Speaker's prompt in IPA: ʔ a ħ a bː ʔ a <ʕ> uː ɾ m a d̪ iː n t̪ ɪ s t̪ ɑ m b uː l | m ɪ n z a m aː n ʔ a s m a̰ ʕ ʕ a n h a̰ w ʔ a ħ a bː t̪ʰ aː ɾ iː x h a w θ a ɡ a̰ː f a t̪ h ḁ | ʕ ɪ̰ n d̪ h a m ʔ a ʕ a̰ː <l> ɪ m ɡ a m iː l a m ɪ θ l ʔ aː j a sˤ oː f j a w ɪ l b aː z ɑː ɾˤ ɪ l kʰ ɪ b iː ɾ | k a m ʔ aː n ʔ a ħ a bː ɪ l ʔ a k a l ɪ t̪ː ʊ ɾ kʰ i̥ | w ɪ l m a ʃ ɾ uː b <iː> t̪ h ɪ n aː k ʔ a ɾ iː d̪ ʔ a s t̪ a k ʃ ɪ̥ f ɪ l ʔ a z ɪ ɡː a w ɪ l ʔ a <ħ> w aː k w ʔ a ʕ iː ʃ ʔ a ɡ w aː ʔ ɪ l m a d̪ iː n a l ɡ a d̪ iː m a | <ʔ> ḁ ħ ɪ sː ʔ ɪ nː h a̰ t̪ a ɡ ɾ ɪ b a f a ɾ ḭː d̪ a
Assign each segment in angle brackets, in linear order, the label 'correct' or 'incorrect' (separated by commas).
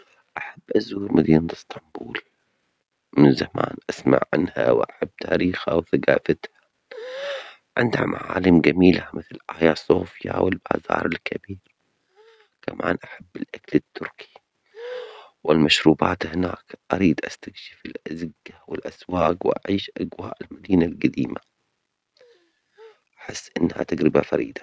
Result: incorrect, correct, incorrect, incorrect, correct